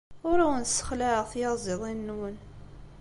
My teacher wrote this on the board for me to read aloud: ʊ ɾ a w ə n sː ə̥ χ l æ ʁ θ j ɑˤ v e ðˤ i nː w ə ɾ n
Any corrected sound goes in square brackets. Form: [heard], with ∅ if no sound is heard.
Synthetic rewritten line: ʊ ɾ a w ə n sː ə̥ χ l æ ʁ θ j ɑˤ [z] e ðˤ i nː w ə [∅] n